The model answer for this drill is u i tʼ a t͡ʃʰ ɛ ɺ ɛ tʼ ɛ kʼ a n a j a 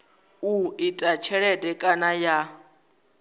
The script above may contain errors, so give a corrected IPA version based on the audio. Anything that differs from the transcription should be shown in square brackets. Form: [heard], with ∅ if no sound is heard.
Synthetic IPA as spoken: u i tʼ a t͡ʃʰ ɛ ɺ ɛ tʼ ɛ kʼ a n a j a